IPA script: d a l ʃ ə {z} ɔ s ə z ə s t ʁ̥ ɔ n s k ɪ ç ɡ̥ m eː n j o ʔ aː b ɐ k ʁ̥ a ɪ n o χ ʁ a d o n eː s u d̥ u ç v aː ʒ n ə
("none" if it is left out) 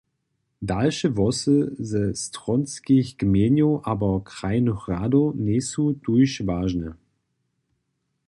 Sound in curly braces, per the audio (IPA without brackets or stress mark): v